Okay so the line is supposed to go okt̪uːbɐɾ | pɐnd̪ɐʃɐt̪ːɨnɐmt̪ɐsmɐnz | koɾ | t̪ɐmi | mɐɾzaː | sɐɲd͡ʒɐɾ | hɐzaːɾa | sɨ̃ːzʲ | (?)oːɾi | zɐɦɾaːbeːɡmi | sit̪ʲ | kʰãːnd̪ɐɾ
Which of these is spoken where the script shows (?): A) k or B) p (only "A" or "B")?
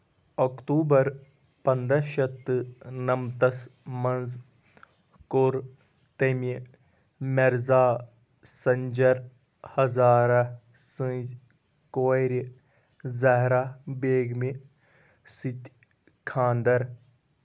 A